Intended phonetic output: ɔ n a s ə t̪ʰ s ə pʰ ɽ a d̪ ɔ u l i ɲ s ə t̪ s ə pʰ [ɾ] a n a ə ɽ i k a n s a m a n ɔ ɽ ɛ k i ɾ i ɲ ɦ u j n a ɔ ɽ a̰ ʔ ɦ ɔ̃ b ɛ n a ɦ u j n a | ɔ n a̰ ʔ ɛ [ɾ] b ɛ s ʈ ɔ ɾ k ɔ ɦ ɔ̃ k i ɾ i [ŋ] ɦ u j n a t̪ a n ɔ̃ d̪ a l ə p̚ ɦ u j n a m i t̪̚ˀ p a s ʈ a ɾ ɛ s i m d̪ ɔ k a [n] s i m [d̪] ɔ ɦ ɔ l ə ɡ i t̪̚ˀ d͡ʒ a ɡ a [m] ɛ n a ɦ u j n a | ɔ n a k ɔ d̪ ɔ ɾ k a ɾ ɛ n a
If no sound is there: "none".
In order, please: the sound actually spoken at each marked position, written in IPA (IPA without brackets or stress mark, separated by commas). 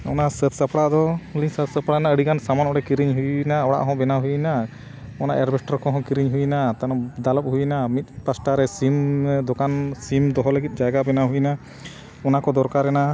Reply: ɽ, ɾ, ɲ, n, d̪, b